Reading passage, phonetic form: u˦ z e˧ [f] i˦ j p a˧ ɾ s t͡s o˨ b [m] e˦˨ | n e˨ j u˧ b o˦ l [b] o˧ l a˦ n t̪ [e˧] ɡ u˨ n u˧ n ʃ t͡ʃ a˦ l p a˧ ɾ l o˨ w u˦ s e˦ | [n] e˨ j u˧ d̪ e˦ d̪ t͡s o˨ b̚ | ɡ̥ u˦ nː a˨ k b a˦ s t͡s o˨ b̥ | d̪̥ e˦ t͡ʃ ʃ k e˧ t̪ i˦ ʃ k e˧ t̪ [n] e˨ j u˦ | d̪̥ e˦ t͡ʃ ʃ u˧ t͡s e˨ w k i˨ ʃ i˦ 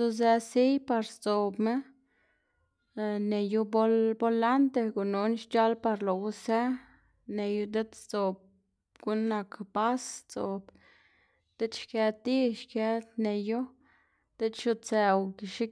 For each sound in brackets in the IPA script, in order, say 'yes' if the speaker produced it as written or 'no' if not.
no, yes, yes, yes, yes, yes

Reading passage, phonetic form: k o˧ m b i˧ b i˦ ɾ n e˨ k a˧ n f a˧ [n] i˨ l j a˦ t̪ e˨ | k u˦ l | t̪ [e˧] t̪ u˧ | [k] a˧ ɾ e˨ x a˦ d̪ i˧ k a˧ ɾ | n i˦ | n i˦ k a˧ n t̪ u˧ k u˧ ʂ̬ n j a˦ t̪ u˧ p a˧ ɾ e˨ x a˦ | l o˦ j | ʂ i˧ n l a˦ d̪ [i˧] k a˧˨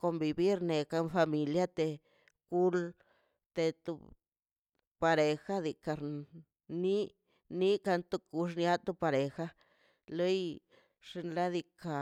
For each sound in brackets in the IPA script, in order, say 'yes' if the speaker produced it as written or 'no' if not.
no, yes, no, yes

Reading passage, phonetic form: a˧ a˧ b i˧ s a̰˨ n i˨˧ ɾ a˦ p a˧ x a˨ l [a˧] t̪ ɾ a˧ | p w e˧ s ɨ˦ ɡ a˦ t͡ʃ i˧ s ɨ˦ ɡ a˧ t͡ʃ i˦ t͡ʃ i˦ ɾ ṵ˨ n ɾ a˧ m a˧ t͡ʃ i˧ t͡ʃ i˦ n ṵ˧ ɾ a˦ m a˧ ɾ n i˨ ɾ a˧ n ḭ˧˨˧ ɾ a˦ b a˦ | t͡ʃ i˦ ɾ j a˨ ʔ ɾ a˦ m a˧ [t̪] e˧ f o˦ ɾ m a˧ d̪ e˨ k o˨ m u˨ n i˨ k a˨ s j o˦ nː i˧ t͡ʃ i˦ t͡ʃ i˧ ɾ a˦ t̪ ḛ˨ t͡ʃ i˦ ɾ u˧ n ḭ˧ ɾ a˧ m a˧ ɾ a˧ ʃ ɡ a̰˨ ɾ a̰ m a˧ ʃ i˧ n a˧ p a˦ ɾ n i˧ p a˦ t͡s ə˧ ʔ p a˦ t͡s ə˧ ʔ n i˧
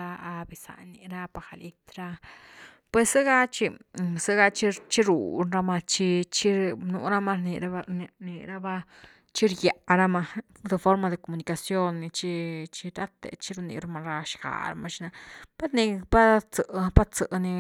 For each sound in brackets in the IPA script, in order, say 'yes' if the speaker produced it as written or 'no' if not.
no, no

